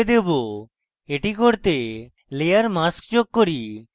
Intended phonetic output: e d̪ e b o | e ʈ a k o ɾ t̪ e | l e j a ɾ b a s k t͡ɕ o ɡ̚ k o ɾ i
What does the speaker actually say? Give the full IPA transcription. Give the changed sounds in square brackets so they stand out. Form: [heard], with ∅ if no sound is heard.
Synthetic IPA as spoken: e d̪ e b o | e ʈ [i] k o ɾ t̪ e | l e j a ɾ [m] a s k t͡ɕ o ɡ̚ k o ɾ i